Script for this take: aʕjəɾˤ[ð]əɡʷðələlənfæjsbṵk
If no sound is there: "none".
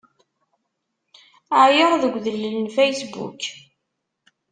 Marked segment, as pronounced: ð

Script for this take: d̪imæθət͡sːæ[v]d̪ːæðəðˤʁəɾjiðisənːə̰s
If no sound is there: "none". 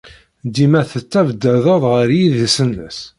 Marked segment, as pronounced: v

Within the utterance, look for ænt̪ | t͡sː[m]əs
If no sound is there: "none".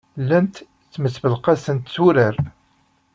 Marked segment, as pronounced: m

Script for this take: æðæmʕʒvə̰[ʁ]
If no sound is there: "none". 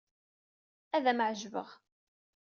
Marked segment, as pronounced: ʁ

